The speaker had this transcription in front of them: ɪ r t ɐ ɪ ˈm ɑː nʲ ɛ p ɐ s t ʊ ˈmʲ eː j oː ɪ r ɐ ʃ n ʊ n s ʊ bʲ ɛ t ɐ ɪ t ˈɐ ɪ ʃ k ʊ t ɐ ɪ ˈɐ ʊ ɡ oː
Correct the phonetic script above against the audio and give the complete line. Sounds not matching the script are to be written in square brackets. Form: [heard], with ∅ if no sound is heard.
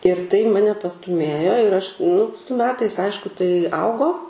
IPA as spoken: ɪ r t ɐ ɪ ˈm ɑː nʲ ɛ p ɐ s t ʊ ˈmʲ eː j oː ɪ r ɐ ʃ n ʊ [∅] s ʊ [mʲ] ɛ t ɐ ɪ [s] ˈɐ ɪ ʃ k ʊ t ɐ ɪ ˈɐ ʊ ɡ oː